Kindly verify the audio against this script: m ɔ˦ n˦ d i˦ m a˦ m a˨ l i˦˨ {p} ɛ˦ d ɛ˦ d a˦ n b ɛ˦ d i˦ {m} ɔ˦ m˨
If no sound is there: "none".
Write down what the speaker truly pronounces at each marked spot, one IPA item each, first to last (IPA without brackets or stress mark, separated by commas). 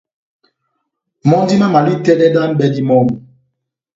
t, m